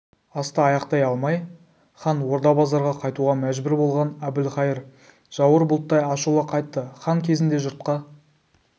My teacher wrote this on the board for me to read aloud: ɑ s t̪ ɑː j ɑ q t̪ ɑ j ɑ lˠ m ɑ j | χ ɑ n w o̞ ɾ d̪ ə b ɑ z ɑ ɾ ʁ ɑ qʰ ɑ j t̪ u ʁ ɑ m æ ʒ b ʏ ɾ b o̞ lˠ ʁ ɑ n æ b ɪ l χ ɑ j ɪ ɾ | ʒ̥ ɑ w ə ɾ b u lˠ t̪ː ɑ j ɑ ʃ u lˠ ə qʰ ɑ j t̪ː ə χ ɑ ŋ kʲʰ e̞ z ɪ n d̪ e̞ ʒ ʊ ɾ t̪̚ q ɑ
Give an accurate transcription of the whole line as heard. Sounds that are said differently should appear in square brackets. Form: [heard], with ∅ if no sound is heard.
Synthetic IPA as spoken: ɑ s t̪ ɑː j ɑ q t̪ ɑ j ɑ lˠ m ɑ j | χ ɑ n w o̞ ɾ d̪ [ɑ] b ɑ z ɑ ɾ ʁ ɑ qʰ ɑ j t̪ u ʁ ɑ m æ ʒ b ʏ ɾ b o̞ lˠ ʁ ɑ n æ b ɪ l χ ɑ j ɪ ɾ | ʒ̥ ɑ w ə ɾ b [ʊ] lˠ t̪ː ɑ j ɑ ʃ u lˠ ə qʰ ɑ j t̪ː ə χ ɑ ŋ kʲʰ e̞ z ɪ n d̪ e̞ ʒ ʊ ɾ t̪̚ q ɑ